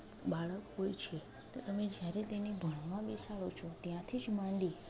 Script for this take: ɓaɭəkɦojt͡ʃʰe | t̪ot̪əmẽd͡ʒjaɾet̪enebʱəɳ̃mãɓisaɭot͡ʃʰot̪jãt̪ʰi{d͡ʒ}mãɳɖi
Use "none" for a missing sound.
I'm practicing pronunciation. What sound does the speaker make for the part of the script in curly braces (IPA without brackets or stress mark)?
d͡ʒ